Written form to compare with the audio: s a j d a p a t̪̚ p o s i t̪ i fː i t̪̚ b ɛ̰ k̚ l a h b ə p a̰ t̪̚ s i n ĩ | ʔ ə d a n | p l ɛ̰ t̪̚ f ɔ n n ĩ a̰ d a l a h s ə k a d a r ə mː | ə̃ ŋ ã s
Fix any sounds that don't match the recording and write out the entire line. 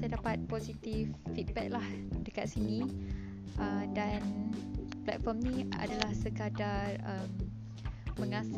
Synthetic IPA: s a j d a p a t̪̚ p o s i t̪ i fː i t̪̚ b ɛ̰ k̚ l a h d ə k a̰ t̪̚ s i n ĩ | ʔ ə d a n | p l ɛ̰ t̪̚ f ɔ m n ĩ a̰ d a l a h s ə k a d a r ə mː | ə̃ ŋ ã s